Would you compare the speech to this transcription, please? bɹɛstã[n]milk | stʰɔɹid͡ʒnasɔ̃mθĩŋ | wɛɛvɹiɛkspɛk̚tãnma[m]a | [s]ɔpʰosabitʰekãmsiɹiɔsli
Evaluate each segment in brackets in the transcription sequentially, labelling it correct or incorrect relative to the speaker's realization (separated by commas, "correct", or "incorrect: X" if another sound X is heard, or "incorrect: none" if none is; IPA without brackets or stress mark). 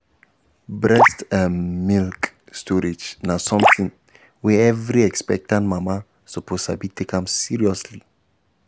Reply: correct, correct, correct